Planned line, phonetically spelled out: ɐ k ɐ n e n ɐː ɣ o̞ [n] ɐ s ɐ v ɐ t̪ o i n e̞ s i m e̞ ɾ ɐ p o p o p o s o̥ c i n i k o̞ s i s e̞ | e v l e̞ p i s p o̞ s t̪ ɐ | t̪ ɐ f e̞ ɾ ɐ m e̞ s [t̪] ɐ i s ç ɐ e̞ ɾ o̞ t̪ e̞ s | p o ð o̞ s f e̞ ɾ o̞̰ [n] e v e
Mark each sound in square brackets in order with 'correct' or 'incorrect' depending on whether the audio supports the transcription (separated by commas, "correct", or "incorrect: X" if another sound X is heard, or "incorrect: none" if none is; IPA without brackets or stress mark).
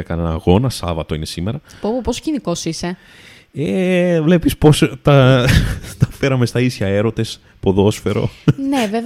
correct, correct, correct